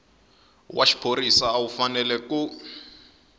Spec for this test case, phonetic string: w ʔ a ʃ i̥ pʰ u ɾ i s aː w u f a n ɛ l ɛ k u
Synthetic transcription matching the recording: w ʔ a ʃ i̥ pʰ o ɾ i s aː w u f a n ɛ l ɛ k u